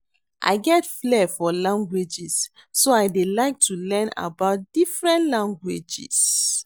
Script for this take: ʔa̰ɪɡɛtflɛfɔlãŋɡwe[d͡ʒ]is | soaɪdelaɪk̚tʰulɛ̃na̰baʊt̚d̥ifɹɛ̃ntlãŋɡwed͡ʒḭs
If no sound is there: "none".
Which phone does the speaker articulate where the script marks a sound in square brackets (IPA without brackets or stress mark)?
d͡ʒ